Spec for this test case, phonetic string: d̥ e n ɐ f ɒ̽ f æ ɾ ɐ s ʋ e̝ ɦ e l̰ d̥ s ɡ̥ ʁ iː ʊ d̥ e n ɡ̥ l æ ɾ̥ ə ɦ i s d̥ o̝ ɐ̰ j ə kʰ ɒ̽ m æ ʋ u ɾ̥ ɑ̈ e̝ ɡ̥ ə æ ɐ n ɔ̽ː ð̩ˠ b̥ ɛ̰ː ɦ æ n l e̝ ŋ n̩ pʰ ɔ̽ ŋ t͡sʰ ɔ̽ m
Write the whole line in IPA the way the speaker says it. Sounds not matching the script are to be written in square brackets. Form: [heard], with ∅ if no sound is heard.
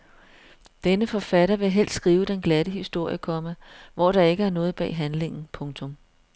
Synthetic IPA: d̥ e n [ə] f ɒ̽ f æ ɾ ɐ [∅] ʋ e̝ ɦ e l̰ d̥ s ɡ̥ ʁ iː ʊ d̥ e n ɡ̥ l æ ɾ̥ ə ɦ i s d̥ o̝ ɐ̰ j ə kʰ ɒ̽ m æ ʋ [ɒ] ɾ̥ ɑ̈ e̝ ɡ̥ ə æ ɐ n ɔ̽ː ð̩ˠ b̥ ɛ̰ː ɦ æ n l e̝ ŋ n̩ pʰ ɔ̽ ŋ t͡sʰ ɔ̽ m

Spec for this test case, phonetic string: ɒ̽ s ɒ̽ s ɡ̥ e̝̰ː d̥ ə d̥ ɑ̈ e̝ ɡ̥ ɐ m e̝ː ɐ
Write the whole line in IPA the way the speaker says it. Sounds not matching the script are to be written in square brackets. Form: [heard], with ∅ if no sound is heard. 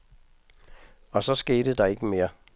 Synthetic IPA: ɒ̽ s ɒ̽ s ɡ̥ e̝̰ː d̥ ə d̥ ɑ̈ e̝ ɡ̥ [ə] m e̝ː ɐ

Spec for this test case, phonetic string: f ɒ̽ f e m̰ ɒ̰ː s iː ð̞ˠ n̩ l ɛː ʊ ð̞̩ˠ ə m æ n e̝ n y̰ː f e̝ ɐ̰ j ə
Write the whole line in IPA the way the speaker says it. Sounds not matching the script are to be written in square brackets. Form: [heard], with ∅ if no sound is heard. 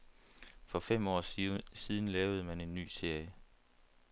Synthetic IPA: f ɒ̽ f e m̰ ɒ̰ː s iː ð̞ˠ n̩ l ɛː ʊ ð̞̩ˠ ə m æ n e̝ [nː] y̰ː [s] e̝ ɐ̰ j ə

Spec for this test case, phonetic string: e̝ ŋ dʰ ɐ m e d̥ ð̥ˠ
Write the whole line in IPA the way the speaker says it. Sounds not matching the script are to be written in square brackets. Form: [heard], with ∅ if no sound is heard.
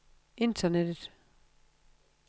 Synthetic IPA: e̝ [n] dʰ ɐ [n] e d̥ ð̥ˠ

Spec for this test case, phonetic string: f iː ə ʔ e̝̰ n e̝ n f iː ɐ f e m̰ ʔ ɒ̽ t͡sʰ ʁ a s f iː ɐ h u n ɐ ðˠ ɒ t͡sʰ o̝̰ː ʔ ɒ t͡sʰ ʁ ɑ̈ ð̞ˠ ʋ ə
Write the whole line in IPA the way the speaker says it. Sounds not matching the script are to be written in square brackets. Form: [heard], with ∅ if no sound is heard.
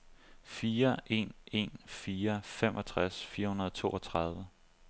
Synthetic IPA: f iː [ɐ] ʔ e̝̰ n e̝ n f iː ɐ f e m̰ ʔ ɒ̽ t͡sʰ ʁ a s f iː ɐ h u n ɐ ðˠ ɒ t͡sʰ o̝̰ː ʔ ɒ t͡sʰ ʁ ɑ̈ ð̞ˠ ʋ ə

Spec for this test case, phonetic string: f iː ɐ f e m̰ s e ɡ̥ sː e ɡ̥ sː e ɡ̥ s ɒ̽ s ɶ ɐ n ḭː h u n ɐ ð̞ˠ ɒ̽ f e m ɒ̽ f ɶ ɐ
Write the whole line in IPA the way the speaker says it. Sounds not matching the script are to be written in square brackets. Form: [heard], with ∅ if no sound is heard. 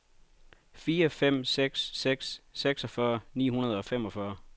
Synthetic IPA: f iː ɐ f e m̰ s e ɡ̥ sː e ɡ̥ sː e ɡ̥ s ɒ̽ [f] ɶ ɐ n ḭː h u n ɐ ð̞ˠ ɒ̽ f e m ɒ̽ f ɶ ɐ

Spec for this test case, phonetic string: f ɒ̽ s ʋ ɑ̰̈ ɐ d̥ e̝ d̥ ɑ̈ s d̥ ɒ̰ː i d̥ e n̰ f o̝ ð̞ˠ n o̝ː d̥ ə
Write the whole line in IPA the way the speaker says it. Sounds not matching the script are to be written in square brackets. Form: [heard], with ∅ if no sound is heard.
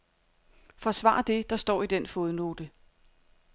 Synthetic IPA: f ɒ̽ s ʋ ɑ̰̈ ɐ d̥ e̝ d̥ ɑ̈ s d̥ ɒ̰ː i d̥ e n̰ f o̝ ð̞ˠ n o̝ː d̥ ə

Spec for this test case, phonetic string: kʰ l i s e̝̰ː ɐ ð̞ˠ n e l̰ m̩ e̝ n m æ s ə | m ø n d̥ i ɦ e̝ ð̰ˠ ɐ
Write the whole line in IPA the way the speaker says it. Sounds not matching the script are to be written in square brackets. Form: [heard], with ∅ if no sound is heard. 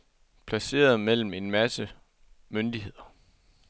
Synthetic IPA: [pʰ] l [æ] s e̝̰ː ɐ ð̞ˠ [m] e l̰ m̩ e̝ n m æ s ə | m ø n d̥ i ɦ e̝ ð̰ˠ ɐ

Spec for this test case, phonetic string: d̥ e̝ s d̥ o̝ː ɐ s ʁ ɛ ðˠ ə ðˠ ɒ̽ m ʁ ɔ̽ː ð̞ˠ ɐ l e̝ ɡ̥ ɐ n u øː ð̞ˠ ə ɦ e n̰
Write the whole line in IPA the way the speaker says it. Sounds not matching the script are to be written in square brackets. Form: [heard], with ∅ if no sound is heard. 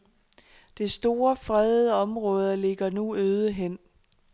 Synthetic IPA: d̥ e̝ s d̥ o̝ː ɐ [f] ʁ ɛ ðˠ ə [∅] ɒ̽ m ʁ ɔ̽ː ð̞ˠ ɐ l e̝ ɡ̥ ɐ n u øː ð̞ˠ ə ɦ e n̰

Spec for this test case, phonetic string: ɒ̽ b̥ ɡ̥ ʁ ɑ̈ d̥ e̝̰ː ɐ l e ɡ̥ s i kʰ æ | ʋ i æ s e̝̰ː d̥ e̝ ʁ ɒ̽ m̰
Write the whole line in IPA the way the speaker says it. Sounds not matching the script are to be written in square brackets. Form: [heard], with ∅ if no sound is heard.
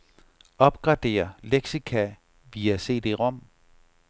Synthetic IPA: ɒ̽ b̥ ɡ̥ ʁ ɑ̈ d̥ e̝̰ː ɐ l e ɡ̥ s i kʰ æ | ʋ i æ s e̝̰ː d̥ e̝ ʁ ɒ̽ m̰

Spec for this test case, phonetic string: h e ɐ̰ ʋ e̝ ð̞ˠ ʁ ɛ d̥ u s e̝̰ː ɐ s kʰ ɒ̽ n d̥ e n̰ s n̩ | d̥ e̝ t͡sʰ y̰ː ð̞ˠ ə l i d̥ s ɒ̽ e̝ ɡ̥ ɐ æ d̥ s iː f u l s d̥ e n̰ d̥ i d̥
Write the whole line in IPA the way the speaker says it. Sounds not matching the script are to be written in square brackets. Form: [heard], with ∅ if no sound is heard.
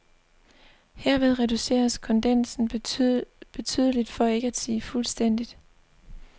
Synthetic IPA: h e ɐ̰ ʋ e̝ ð̞ˠ ʁ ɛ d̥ u s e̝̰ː ɐ s kʰ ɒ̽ n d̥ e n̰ s n̩ | [b̥] e̝ t͡sʰ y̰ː ð̞ˠ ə l i d̥ [f] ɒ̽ e̝ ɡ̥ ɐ æ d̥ s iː f u l s d̥ e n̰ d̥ i d̥

